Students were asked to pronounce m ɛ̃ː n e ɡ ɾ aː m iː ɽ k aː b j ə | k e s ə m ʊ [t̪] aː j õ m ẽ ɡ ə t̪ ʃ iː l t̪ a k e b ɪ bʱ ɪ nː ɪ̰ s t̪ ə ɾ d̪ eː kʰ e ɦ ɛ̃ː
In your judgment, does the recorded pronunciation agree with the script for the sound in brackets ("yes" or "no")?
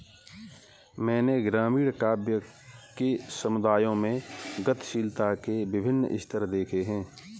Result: no